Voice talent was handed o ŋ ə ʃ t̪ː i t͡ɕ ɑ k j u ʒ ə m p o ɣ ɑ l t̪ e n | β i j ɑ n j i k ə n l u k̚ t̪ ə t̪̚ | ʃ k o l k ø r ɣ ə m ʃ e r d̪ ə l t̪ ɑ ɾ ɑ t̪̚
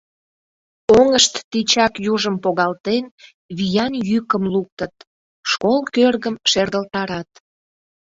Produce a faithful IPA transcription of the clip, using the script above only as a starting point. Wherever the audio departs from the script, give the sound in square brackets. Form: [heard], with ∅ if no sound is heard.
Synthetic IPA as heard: o ŋ ə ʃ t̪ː i t͡ɕ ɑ k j u ʒ ə m p o ɣ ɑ l t̪ e n | β i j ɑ n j [y] k ə [m] l u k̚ t̪ ə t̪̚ | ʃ k o l k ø r ɣ ə m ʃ e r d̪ ə l t̪ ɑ ɾ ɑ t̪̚